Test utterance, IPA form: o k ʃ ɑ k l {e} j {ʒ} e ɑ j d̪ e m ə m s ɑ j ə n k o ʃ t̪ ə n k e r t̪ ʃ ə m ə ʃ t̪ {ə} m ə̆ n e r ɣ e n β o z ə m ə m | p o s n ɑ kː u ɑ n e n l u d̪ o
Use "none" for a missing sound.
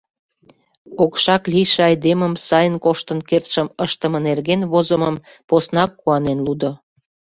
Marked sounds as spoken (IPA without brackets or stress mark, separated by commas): i, ʃ, ə